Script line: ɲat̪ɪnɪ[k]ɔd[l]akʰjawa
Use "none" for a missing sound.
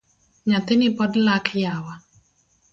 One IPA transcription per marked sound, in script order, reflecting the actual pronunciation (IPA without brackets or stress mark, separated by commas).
p, l